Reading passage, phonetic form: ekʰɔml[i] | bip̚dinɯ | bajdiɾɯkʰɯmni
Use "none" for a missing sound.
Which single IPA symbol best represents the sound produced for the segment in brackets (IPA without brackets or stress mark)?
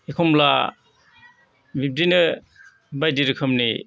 a